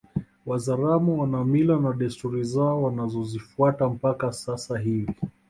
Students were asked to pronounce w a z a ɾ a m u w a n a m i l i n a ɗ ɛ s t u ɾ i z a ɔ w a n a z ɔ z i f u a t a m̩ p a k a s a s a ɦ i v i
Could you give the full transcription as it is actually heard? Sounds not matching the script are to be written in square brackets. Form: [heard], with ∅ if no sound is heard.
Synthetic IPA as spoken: w a z a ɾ a m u w a n a m i l [a] n a ɗ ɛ s t u ɾ i z a ɔ w a n a z ɔ z i f u a t a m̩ p a k a s a s a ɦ i v i